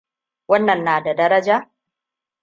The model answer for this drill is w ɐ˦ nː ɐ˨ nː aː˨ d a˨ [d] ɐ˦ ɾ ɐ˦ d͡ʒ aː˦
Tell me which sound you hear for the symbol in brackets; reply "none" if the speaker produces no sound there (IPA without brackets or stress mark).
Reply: d